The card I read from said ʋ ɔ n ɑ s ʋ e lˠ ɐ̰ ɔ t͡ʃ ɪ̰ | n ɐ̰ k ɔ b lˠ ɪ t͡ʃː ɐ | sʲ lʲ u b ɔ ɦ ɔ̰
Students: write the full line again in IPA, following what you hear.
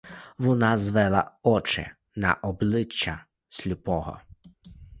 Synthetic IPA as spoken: ʋ ɔ n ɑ z ʋ ɛ lˠ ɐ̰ ɔ t͡ʃ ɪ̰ | n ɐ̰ ʔ ɔ b lˠ ɪ t͡ʃː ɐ | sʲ lʲ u p ɔ ɦ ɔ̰